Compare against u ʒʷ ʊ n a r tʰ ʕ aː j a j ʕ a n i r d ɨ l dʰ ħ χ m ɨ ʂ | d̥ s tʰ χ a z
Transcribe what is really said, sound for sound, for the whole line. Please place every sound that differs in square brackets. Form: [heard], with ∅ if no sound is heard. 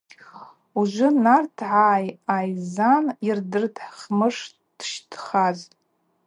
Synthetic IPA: u ʒʷ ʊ n a r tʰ ʕ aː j a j [z] a n i r d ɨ [r] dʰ ħ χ m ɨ ʂ | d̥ [ʃ] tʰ χ a z